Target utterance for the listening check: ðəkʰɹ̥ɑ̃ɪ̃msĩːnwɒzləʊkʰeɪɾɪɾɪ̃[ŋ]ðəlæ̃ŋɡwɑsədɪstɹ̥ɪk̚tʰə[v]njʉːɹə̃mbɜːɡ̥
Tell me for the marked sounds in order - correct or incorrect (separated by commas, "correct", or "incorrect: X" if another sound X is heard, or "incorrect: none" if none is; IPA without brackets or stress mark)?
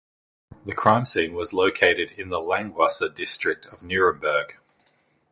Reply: incorrect: n, correct